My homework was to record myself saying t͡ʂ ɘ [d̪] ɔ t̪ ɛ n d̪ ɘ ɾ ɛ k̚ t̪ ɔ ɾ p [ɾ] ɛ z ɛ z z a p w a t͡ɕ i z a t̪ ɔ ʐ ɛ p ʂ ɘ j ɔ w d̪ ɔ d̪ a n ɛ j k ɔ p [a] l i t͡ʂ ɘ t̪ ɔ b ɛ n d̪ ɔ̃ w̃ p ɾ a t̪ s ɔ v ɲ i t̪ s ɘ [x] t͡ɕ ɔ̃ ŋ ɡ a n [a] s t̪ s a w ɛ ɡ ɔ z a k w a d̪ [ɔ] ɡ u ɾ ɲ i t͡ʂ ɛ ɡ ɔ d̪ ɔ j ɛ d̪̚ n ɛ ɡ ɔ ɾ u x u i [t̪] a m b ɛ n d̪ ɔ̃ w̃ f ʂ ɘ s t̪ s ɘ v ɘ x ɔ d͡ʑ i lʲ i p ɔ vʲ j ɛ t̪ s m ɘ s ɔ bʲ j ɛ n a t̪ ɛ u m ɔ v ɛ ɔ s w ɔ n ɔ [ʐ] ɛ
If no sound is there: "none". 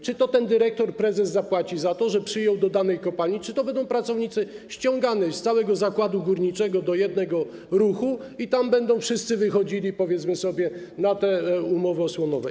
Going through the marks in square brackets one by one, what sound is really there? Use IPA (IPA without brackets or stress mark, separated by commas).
t̪, ɾ, a, ɕ, ɛ, u, t̪, v